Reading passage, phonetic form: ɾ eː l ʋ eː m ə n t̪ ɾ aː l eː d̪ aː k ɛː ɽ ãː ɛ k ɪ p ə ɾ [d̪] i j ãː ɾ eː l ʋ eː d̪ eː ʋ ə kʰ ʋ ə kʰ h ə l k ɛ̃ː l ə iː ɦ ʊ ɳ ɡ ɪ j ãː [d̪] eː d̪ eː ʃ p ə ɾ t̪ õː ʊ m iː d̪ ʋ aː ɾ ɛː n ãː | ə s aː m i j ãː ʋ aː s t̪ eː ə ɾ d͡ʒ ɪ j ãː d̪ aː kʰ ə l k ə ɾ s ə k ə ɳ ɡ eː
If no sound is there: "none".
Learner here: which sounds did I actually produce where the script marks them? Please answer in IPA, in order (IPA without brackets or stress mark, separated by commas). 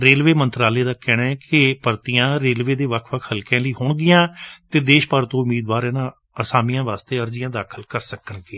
t̪, t̪